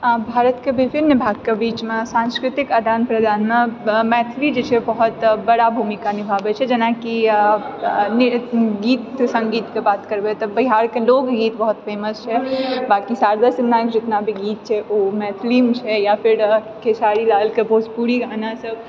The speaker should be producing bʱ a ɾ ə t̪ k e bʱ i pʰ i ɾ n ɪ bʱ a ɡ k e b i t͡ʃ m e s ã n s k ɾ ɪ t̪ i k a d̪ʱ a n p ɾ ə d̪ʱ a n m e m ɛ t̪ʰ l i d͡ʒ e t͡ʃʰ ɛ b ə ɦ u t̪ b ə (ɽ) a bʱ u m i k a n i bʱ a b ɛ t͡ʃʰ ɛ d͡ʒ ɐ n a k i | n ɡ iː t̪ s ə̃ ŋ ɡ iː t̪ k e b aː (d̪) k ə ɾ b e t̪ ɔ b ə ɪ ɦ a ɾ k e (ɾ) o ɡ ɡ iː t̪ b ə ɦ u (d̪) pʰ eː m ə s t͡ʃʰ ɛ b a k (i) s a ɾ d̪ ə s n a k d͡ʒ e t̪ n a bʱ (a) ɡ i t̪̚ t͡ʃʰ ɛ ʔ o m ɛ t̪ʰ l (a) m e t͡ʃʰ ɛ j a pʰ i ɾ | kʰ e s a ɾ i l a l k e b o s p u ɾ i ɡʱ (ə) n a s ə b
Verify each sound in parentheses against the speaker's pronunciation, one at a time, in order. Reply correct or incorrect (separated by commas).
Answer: correct, incorrect, incorrect, incorrect, correct, incorrect, incorrect, incorrect